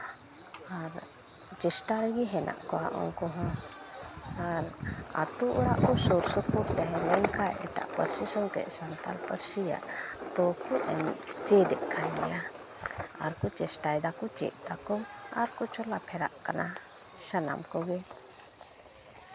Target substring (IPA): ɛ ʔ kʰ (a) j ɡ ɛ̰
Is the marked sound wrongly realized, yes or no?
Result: no